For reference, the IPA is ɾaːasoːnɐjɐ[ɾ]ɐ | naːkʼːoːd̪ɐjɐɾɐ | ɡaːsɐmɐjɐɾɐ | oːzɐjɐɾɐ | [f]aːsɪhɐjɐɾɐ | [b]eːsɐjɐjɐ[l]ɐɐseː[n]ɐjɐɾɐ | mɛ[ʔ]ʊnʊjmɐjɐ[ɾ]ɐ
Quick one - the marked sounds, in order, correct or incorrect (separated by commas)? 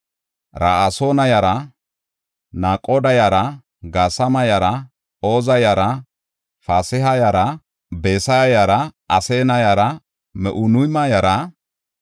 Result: correct, correct, correct, incorrect, correct, correct, correct